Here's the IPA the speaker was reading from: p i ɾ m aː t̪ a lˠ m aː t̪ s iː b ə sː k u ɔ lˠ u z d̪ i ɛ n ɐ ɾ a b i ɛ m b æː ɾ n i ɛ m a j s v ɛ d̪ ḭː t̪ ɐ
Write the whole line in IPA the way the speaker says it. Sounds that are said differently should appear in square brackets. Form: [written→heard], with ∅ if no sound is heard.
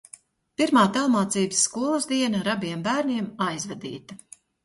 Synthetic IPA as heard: p i ɾ m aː t̪ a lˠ m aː t̪ s iː b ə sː k u ɔ lˠ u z d̪ i ɛ n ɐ ɾ a b i ɛ m b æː ɾ n i ɛ m a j [s→z] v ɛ d̪ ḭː t̪ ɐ

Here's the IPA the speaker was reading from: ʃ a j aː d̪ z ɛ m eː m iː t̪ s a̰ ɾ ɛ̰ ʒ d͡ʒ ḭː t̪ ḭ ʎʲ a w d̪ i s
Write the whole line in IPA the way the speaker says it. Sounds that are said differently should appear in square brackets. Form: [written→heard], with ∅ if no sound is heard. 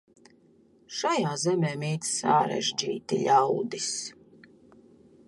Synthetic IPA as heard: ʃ a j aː [d̪→∅] z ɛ m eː m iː t̪ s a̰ ɾ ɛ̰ ʒ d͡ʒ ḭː t̪ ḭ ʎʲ a w d̪ i s

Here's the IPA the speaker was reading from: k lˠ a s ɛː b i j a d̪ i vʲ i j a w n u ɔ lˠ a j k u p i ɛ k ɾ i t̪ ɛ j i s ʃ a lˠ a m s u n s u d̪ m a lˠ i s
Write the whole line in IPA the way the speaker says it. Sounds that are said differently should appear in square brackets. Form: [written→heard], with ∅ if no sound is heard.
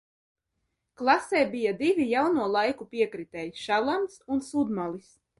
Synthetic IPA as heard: k lˠ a s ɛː b i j a d̪ i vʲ i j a w n u ɔ lˠ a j k u p i ɛ k ɾ i t̪ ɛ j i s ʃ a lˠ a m s u n s u d̪ m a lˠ i s

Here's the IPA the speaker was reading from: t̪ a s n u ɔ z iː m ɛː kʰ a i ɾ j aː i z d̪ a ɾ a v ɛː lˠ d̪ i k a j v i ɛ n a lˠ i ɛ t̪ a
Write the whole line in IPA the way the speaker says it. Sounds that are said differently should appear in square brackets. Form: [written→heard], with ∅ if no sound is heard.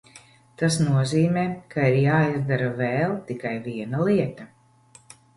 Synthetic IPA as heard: t̪ a s n u ɔ z iː m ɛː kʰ a i ɾ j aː i z d̪ a ɾ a v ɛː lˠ [d̪→t̪] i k a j v i ɛ n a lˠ i ɛ t̪ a

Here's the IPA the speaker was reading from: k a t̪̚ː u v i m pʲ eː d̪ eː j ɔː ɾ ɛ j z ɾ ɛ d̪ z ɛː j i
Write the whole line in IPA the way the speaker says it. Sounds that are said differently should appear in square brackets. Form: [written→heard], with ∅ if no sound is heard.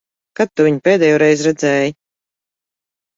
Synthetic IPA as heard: k a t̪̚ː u v i [m→ɲ] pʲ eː d̪ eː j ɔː ɾ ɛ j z ɾ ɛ d̪ z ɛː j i

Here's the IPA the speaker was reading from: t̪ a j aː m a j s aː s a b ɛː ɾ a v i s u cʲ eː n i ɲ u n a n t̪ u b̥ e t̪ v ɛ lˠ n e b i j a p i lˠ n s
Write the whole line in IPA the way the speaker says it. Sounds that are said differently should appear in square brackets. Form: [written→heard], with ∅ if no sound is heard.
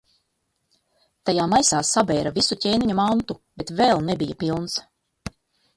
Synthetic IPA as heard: t̪ a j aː m a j s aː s a b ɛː ɾ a v i s u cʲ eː n i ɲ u [n→m] a n t̪ u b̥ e t̪ v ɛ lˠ n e b i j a p i lˠ n s

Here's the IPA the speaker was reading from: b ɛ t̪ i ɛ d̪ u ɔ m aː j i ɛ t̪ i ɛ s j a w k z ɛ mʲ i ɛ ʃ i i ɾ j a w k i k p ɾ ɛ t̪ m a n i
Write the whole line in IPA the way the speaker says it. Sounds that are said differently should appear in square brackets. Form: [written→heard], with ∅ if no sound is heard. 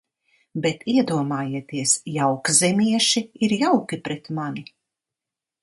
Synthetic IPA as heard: b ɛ t̪ i ɛ d̪ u ɔ m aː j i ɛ t̪ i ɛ s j a w k z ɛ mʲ i ɛ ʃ i i ɾ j a w k i [k→∅] p ɾ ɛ t̪ m a n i

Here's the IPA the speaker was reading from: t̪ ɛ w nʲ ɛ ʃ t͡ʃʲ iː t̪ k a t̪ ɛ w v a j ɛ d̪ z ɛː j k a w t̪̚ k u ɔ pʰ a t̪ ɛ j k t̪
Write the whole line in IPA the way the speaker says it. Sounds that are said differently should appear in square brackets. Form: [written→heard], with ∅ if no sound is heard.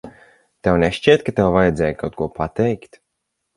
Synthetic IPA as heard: t̪ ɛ w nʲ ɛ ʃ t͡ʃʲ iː t̪ k a t̪ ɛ w v a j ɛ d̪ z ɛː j k a w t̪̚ k u ɔ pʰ a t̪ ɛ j k t̪

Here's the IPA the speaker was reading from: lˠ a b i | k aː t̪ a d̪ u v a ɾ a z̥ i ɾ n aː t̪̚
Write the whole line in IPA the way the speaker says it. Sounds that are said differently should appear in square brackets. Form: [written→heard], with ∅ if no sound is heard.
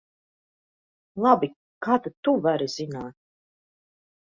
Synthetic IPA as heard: lˠ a b i | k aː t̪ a [d̪→t̪] u v a ɾ [a→i] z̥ i [ɾ→∅] n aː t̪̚

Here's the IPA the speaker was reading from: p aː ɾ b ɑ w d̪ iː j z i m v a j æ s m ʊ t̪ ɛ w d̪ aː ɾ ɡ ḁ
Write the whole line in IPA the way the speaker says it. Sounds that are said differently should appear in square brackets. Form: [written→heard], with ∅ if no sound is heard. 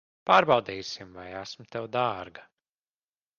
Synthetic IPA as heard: p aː ɾ b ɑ w d̪ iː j [z→s] i m v a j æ s m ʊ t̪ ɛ w d̪ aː ɾ ɡ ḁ

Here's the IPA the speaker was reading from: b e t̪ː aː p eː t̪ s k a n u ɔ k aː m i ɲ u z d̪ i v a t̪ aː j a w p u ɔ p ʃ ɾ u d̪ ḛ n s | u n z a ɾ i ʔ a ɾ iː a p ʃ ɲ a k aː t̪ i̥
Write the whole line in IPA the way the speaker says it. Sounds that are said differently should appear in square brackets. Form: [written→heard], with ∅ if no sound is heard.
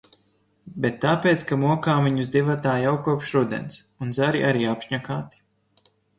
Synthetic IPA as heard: b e t̪ː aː p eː t̪ s k a [n→m] u ɔ k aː m i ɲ u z d̪ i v a t̪ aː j a w [p→k] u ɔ p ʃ ɾ u d̪ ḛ n s | u n z a ɾ i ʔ a ɾ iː a p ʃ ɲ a k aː t̪ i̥

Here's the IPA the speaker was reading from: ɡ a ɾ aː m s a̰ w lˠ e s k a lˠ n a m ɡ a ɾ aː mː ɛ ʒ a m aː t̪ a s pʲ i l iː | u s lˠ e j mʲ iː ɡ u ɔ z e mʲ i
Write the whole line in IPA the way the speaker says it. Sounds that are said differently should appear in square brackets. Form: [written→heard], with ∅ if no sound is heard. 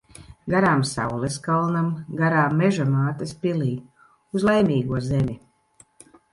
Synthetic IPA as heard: ɡ a ɾ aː m s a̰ w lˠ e s k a lˠ n a m ɡ a ɾ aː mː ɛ ʒ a m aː t̪ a s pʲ i l iː | u [s→z] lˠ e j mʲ iː ɡ u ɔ z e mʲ i

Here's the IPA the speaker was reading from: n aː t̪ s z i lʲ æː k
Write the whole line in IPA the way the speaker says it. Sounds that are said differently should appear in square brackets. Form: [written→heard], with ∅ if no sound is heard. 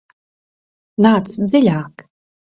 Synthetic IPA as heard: n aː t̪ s z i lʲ [æː→aː] k

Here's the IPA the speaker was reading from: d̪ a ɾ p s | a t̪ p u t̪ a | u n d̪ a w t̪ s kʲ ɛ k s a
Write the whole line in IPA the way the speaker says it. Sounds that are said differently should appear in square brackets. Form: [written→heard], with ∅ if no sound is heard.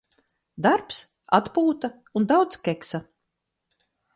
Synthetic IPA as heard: d̪ a ɾ p s | a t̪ p [u→uː] t̪ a | u n d̪ a w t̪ s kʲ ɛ k s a

